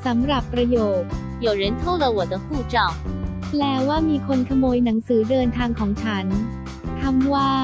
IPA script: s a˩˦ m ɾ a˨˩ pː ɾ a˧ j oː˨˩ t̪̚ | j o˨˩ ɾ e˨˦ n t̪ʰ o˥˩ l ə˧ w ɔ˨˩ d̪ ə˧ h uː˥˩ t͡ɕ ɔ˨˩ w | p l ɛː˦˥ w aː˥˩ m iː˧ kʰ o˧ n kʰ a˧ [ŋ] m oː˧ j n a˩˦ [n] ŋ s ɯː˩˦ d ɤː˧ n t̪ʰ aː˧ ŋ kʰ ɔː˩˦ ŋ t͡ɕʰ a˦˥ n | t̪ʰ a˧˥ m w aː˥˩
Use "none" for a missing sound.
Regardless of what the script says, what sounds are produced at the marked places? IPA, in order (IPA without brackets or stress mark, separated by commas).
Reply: none, none